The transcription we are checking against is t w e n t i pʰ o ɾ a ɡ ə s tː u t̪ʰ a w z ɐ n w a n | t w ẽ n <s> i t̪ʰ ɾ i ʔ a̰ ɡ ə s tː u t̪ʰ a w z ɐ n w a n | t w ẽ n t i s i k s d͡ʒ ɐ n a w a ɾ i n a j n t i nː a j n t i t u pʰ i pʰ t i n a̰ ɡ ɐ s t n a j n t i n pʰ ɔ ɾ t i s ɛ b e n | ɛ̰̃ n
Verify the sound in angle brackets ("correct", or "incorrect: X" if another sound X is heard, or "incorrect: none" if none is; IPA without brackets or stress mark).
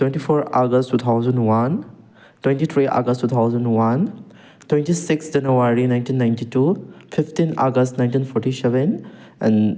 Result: incorrect: t